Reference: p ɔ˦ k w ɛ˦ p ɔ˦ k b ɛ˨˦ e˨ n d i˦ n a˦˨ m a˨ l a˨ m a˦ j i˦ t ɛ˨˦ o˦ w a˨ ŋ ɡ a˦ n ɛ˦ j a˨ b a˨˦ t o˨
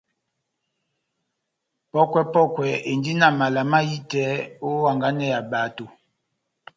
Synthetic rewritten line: p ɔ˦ k w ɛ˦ p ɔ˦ k w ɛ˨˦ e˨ n d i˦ n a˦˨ m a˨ l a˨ m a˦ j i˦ t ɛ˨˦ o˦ w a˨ ŋ ɡ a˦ n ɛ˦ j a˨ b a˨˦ t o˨